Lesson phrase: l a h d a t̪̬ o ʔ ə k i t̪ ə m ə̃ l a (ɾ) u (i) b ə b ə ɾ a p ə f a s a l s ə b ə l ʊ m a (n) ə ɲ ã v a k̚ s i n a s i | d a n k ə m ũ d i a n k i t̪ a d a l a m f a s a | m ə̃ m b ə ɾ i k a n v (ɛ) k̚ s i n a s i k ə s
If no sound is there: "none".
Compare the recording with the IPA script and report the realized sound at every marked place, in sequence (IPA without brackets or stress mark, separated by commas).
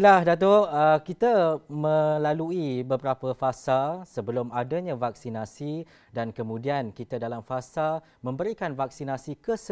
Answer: l, i, d, a